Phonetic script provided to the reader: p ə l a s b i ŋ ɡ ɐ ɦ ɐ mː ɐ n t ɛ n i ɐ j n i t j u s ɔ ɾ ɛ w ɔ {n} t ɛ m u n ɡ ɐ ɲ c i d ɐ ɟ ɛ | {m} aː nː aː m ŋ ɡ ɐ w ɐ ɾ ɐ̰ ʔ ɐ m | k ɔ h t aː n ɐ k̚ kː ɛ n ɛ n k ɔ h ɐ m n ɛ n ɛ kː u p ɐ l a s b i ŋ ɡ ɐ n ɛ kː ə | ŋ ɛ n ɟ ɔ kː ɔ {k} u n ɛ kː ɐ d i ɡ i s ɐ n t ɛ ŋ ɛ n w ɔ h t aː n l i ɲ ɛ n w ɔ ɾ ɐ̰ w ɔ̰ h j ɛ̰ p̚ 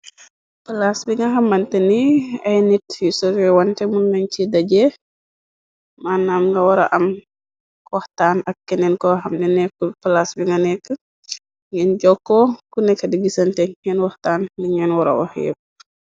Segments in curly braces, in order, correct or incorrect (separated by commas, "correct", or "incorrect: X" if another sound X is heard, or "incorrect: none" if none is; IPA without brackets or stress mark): correct, correct, correct